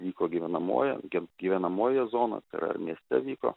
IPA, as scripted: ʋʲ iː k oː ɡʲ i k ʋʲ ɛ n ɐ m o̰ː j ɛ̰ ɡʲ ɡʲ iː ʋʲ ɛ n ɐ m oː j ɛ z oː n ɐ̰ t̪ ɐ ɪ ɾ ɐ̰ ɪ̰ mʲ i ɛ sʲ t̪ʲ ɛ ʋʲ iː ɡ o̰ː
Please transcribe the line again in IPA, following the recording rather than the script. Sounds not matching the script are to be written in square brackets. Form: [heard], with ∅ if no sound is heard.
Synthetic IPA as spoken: ʋʲ iː k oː ɡʲ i [∅] ʋʲ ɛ n ɐ m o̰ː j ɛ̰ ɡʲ ɡʲ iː ʋʲ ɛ n ɐ m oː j ɛ z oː n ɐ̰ t̪ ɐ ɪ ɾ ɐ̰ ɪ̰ mʲ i ɛ sʲ t̪ʲ ɛ ʋʲ iː [k] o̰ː

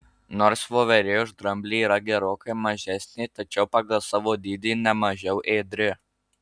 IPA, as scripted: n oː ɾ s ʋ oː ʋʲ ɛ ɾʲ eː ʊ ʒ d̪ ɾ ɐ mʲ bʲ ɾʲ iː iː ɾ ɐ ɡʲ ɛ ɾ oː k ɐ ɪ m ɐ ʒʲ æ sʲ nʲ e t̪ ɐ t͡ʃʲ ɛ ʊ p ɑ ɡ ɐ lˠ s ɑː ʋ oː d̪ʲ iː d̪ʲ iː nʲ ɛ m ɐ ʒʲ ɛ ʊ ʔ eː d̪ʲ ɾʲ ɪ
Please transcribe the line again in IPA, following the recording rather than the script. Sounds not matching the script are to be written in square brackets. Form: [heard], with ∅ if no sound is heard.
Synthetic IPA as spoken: n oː ɾ s ʋ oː ʋʲ ɛ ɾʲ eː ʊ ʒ d̪ ɾ ɐ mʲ bʲ [lʲ] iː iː ɾ ɐ ɡʲ ɛ ɾ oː k ɐ ɪ m ɐ ʒʲ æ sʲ nʲ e t̪ ɐ t͡ʃʲ ɛ ʊ p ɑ ɡ ɐ lˠ s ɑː ʋ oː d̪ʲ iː d̪ʲ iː nʲ ɛ m ɐ ʒʲ ɛ ʊ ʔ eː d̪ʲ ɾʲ ɪ

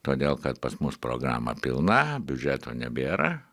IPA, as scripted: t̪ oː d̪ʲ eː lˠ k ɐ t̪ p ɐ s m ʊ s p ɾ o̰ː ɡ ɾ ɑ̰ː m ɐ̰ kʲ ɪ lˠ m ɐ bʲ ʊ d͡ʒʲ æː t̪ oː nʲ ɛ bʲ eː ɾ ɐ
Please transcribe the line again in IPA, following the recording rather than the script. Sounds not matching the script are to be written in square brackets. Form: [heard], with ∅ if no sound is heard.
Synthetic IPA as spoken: t̪ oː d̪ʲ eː lˠ k ɐ t̪ p ɐ s m ʊ s p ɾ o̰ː ɡ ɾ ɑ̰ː m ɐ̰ [pʲ] ɪ lˠ [n] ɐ bʲ ʊ d͡ʒʲ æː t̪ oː nʲ ɛ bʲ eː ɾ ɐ

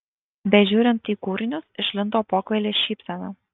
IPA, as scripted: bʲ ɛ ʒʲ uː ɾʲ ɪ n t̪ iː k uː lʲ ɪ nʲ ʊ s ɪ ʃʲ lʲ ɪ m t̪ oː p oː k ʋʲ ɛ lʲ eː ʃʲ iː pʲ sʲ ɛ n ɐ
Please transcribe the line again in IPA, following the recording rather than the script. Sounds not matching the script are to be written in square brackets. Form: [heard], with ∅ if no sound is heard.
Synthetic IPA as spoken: bʲ ɛ ʒʲ uː ɾʲ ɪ n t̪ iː k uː [ɾʲ] ɪ nʲ ʊ s ɪ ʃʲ lʲ ɪ [n] t̪ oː p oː k ʋʲ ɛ lʲ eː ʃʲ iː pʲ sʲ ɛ n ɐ

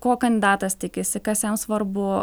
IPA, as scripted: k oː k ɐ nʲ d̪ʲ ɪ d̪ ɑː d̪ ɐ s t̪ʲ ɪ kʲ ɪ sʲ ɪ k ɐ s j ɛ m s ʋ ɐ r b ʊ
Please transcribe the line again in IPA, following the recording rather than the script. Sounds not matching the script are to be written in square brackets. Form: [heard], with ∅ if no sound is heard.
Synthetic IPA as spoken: k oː k ɐ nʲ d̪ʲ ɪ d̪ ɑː [t̪] ɐ s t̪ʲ ɪ kʲ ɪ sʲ ɪ k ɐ s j ɛ m s ʋ ɐ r b ʊ

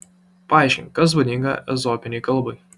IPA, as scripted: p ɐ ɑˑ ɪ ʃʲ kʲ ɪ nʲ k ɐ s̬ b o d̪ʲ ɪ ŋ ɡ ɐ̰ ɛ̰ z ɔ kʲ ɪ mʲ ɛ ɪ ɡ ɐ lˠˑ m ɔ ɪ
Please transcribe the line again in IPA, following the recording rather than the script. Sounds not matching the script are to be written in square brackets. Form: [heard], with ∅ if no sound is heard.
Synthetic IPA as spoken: p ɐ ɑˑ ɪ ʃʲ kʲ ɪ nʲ k ɐ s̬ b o d̪ʲ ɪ ŋ ɡ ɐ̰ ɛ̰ z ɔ [pʲ] ɪ [nʲ] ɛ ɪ [k] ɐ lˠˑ [b] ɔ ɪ

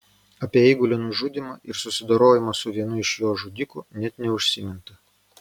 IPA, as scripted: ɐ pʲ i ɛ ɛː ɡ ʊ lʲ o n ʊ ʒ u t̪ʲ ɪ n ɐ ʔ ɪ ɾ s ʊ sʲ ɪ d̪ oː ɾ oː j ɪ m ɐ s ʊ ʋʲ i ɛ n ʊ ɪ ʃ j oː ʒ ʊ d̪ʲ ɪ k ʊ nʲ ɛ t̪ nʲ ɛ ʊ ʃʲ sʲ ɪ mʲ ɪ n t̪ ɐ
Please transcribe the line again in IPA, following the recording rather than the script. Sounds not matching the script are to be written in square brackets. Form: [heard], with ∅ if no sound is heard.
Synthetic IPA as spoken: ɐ pʲ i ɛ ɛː ɡ ʊ lʲ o n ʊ ʒ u [d̪ʲ] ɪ [m] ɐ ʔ ɪ ɾ s ʊ sʲ ɪ d̪ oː ɾ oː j ɪ m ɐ s ʊ ʋʲ i ɛ n ʊ ɪ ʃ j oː ʒ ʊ d̪ʲ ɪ k ʊ nʲ ɛ t̪ nʲ ɛ ʊ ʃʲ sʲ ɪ mʲ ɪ n t̪ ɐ

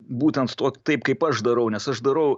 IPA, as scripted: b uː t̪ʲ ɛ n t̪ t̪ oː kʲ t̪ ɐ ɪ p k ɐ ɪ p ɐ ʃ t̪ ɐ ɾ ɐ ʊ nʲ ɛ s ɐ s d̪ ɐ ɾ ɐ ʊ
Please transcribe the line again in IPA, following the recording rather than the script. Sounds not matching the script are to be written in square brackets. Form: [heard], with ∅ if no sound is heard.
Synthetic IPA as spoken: b uː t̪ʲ ɛ n t̪ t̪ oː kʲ t̪ ɐ ɪ p k ɐ ɪ p ɐ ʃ [d̪] ɐ ɾ ɐ ʊ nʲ ɛ s ɐ [ʃ] d̪ ɐ ɾ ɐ ʊ

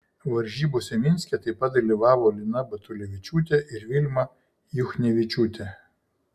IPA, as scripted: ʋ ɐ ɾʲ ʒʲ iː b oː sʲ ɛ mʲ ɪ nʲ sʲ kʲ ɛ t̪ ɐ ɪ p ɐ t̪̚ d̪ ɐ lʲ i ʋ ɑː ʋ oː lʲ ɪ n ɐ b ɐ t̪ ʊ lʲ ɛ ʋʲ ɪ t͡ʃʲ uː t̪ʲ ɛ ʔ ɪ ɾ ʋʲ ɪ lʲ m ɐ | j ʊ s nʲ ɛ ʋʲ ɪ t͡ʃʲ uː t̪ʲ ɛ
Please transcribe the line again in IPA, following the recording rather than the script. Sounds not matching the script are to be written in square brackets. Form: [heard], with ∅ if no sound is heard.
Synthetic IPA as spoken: ʋ ɐ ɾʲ ʒʲ iː b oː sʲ ɛ mʲ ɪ nʲ sʲ kʲ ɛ t̪ ɐ ɪ p ɐ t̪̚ d̪ ɐ lʲ i ʋ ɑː ʋ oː lʲ ɪ n ɐ b ɐ t̪ ʊ lʲ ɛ ʋʲ ɪ t͡ʃʲ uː t̪ʲ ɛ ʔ ɪ ɾ ʋʲ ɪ lʲ m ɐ | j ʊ [x] nʲ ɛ ʋʲ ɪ t͡ʃʲ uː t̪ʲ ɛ

